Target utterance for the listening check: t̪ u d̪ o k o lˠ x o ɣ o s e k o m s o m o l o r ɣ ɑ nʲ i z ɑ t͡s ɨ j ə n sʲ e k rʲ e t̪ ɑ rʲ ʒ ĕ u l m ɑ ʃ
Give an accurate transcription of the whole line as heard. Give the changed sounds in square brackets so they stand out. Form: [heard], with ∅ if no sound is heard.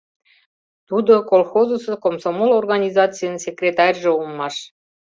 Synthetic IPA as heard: t̪ u d̪ o k o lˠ x o [z] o s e k o m s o m o l o r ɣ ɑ nʲ i z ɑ t͡s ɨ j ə n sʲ e k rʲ e t̪ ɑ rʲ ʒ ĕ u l m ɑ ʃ